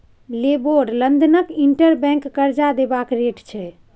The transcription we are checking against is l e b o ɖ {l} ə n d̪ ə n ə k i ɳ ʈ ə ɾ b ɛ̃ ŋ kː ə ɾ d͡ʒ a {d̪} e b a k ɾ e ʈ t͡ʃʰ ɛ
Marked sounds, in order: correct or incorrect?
correct, correct

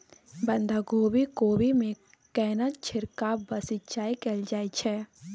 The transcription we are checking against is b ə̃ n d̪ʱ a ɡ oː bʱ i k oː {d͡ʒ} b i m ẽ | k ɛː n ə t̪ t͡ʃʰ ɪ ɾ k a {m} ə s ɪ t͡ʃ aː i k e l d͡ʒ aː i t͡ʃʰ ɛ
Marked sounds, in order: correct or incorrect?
incorrect, incorrect

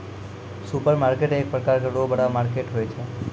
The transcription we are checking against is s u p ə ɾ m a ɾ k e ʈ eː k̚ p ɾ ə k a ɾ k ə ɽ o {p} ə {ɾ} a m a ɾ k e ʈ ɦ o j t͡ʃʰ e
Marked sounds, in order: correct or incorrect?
incorrect, incorrect

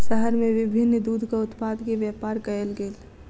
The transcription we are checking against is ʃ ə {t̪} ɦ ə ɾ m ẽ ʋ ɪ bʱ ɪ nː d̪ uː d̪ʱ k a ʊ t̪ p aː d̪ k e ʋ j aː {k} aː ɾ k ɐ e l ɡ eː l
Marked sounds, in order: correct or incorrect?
incorrect, incorrect

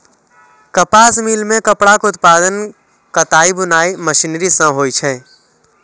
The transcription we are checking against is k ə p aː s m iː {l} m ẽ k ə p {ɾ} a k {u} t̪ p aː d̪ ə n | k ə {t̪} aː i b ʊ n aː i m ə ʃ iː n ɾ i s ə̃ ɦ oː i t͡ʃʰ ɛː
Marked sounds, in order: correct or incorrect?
correct, incorrect, incorrect, correct

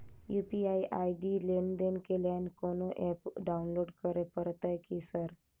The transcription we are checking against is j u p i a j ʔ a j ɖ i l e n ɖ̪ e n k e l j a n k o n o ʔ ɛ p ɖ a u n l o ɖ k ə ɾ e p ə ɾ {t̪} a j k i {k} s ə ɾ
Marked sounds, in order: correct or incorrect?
correct, incorrect

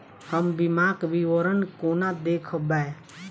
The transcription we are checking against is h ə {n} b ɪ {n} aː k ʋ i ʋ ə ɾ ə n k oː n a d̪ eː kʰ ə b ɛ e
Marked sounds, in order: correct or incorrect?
incorrect, incorrect

